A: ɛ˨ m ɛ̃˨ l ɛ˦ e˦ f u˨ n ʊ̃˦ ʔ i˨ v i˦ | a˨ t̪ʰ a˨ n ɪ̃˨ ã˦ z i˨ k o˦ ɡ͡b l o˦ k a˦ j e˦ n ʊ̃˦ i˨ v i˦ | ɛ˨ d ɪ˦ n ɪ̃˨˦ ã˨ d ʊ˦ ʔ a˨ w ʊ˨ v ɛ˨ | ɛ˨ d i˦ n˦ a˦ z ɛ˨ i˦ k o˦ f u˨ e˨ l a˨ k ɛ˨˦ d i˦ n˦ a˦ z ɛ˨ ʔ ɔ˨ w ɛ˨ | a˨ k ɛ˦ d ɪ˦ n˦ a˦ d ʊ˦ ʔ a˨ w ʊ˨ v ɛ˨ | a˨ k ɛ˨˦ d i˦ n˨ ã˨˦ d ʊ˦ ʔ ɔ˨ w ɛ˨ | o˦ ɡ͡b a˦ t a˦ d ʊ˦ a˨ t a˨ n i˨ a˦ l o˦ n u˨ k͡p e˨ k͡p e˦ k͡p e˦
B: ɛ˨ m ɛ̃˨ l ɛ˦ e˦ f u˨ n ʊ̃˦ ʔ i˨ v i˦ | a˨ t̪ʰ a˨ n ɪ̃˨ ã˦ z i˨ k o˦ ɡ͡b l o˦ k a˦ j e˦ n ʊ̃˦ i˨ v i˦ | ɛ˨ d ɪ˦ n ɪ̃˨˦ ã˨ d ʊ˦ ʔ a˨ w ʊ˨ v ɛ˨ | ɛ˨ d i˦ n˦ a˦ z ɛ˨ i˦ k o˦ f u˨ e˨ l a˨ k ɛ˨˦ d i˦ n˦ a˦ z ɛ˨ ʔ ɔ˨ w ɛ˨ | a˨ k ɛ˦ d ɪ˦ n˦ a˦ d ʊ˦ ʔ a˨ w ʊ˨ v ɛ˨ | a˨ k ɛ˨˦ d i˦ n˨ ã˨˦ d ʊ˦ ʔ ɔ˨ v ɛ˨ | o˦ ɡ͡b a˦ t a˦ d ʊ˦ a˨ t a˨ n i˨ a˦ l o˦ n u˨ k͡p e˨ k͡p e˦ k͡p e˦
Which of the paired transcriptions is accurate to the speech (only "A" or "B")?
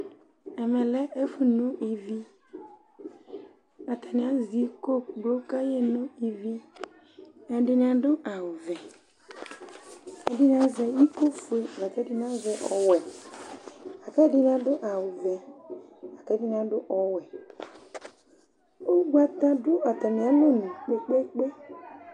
A